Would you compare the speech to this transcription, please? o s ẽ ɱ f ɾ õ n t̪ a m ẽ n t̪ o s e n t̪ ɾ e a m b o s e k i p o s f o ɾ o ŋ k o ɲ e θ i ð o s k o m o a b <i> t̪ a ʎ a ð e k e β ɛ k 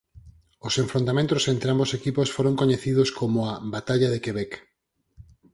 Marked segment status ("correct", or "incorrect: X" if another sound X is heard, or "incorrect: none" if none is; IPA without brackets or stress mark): incorrect: a